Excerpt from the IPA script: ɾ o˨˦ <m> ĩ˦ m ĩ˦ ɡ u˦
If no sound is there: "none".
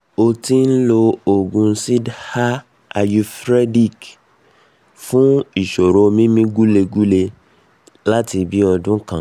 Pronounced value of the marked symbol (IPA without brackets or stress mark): m